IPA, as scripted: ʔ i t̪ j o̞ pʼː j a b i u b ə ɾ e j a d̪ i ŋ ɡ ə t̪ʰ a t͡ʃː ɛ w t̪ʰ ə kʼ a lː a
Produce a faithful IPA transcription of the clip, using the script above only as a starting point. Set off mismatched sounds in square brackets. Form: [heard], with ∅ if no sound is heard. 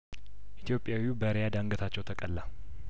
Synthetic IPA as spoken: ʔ i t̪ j o̞ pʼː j a [w] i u b ə ɾ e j a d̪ [a] ŋ ɡ ə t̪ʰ a t͡ʃː ɛ w t̪ʰ ə kʼ [ə] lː a

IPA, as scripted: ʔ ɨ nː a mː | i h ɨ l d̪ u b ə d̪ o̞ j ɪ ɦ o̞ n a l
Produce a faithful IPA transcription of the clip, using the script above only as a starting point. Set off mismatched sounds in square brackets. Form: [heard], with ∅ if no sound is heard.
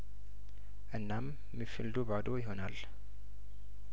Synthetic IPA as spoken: ʔ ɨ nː a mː | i [f] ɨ l d̪ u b [a] d̪ o̞ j ɪ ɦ o̞ n a l

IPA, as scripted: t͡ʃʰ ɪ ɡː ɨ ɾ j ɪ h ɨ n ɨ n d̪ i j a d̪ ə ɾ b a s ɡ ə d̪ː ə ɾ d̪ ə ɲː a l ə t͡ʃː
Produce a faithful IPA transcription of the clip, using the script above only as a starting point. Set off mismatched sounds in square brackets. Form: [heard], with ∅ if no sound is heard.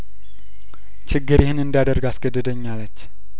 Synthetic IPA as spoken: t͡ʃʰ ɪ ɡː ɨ ɾ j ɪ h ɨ n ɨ n d̪ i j a d̪ ə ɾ [ɡ] a s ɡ ə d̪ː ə [∅] d̪ ə ɲː a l ə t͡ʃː

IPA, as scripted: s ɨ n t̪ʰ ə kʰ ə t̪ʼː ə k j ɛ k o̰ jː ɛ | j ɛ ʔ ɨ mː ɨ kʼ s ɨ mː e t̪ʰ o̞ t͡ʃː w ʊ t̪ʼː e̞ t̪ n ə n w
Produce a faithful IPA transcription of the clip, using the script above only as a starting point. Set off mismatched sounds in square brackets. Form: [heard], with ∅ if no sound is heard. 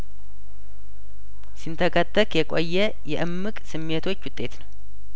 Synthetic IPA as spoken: s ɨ n t̪ʰ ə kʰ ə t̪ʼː ə k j ɛ [kʼ] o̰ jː ɛ | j ɛ ʔ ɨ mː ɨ kʼ s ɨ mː e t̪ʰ o̞ t͡ʃː w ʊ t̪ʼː e̞ t̪ n ə [∅] w

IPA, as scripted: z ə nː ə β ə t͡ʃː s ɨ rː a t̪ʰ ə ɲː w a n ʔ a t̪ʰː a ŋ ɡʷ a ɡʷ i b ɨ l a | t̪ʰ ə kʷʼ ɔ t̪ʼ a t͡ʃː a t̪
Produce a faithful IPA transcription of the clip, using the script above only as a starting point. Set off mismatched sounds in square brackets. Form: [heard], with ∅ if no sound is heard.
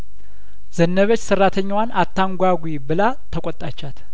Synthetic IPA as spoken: z ə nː ə β ə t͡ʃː s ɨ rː a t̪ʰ ə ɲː w a n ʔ a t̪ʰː a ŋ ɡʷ a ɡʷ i b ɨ l a | t̪ʰ ə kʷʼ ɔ t̪ʼ a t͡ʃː a t̪

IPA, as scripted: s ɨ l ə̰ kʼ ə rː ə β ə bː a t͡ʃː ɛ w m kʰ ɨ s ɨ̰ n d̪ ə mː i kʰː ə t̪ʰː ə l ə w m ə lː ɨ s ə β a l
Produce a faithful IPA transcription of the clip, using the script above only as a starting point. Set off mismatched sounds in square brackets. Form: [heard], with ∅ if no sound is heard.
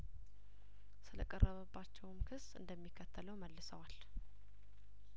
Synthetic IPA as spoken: s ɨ l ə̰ kʼ ə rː ə β ə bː a t͡ʃː ɛ w m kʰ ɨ s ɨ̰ n d̪ ə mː i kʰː ə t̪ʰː ə l ə w m ə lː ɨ s ə [w] a l

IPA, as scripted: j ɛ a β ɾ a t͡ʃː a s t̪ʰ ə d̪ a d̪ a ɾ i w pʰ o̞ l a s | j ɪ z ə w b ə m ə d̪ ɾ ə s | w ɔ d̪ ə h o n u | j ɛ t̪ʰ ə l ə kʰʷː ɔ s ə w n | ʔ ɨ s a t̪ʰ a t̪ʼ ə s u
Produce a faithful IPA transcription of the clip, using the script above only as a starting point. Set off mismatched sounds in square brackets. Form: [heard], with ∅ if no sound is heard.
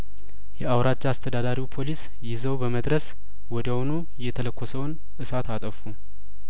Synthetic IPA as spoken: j ɛ a [w] ɾ a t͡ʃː a s t̪ʰ ə d̪ a d̪ a ɾ i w pʰ o̞ l [i] s | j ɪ z ə w b ə m ə d̪ ɾ ə s | w ɔ d̪ ə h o n u | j ɛ t̪ʰ ə l ə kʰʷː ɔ s ə w n | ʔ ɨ s a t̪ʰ a t̪ʼ ə [f] u

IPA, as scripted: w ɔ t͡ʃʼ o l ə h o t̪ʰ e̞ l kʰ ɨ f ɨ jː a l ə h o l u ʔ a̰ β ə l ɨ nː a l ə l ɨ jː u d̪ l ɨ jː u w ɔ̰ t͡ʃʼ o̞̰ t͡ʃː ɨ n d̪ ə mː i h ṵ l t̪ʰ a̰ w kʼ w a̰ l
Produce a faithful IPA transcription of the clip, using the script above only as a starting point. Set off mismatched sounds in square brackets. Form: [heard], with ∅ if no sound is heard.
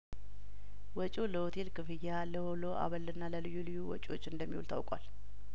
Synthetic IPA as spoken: w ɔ t͡ʃʼ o l ə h o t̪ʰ e̞ l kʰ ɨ f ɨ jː a l ə h o l [o] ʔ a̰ β ə l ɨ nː a l ə l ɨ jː u [∅] l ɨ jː u w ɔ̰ t͡ʃʼ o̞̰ t͡ʃː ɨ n d̪ ə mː i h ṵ l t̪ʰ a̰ w kʼ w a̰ l

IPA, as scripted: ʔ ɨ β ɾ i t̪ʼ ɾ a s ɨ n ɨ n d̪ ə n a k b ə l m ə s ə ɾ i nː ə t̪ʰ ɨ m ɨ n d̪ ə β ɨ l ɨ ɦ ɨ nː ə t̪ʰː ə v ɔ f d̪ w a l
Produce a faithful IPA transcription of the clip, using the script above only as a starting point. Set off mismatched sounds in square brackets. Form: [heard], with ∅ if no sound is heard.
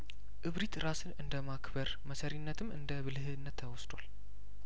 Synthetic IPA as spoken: ʔ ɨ β ɾ i [t̪] ɾ a s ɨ n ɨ n d̪ ə [m] a k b ə [ɾ] m ə s ə ɾ i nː ə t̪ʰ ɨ m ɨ n d̪ ə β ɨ l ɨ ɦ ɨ nː ə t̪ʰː ə [w] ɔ [s] d̪ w a l

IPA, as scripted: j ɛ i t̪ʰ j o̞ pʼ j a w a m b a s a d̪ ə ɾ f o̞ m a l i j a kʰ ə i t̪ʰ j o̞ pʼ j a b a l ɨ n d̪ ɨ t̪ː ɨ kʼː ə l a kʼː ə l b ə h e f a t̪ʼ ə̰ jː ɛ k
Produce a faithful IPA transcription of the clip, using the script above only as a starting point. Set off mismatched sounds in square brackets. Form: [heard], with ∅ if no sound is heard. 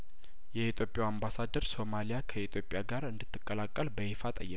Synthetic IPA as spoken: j ɛ i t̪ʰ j o̞ pʼ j a w a m b a s a d̪ ə ɾ [s] o̞ m a l i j a kʰ ə i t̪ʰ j o̞ pʼ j a [ɡ] a [ɾ] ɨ n d̪ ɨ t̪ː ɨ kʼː ə l a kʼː ə l b ə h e f a t̪ʼ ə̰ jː ɛ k

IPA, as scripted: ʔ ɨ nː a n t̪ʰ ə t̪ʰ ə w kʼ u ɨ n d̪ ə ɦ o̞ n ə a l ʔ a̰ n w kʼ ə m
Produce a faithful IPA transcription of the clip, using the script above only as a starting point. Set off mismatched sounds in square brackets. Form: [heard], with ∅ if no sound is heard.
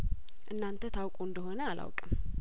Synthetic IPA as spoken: ʔ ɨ nː a n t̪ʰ ə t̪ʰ [a] w kʼ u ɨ n d̪ ə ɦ o̞ n ə a l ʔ a̰ [∅] w kʼ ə m

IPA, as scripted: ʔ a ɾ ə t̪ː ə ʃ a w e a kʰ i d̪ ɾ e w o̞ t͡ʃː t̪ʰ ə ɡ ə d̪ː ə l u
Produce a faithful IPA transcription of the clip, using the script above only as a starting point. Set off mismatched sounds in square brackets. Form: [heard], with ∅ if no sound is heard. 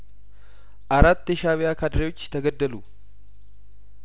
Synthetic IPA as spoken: ʔ a ɾ [a] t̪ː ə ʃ a [β] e a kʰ [a] d̪ ɾ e w o̞ t͡ʃː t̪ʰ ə ɡ ə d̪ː ə l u

